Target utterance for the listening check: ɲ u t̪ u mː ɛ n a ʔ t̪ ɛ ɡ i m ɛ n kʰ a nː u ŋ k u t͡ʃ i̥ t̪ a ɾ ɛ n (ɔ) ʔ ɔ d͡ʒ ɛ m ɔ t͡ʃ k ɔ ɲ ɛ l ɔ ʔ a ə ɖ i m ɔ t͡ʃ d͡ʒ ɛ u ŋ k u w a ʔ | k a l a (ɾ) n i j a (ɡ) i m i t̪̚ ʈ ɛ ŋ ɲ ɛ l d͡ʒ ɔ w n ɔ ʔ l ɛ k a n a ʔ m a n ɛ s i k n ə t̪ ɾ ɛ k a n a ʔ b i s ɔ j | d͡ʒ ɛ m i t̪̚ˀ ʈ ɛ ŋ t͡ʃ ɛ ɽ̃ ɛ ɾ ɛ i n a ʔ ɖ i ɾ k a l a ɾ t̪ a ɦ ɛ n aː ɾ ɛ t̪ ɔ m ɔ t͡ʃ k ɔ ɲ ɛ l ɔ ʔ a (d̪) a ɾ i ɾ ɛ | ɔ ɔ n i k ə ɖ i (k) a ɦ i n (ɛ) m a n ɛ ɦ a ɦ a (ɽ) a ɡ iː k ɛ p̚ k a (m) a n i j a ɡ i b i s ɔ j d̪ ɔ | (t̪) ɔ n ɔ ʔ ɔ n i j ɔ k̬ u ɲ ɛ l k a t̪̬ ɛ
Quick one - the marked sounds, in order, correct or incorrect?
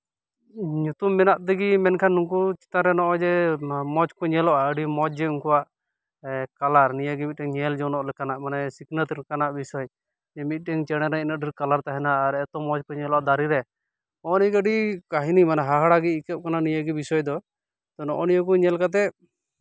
correct, correct, correct, correct, correct, incorrect, correct, incorrect, correct

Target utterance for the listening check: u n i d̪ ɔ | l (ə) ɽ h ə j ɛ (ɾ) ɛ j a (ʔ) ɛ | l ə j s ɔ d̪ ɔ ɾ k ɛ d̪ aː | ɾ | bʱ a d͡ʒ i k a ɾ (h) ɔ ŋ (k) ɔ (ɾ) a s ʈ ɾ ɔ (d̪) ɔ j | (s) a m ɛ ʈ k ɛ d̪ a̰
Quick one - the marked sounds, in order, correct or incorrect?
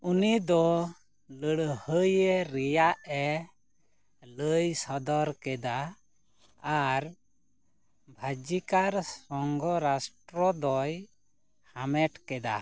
correct, correct, correct, incorrect, incorrect, correct, correct, incorrect

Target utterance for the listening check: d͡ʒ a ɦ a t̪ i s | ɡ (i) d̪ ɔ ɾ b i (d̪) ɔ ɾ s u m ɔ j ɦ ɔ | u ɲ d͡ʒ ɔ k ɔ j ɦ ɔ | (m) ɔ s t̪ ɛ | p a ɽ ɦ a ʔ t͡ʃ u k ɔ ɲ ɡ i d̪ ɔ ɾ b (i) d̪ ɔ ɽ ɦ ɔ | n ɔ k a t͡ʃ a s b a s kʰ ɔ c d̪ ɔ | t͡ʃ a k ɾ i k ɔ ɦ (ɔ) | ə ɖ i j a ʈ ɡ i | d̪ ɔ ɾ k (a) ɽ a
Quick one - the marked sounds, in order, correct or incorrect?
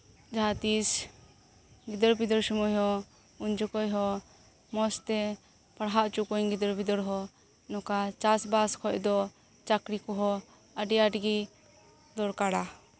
correct, correct, correct, correct, correct, correct

